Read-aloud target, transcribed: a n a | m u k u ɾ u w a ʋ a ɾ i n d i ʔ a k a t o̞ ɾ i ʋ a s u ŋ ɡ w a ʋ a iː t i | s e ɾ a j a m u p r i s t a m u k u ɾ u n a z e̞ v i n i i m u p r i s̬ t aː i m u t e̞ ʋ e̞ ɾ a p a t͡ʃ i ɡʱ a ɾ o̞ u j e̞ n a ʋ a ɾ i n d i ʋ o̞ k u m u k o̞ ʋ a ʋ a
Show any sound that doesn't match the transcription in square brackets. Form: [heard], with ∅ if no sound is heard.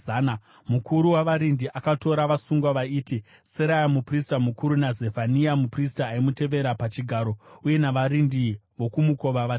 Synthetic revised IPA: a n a | m u k u ɾ u w a ʋ a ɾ i n d i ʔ a k a t o̞ ɾ [a] ʋ a s u ŋ ɡ w a ʋ a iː t i | s e ɾ a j a m u p r i s t a m u k u ɾ u n a z e̞ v [a] n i [a] m u p r i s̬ t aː i m u t e̞ ʋ e̞ ɾ a p a t͡ʃ i ɡʱ a ɾ o̞ u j e̞ n a ʋ a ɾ i n d i ʋ o̞ k u m u k o̞ ʋ a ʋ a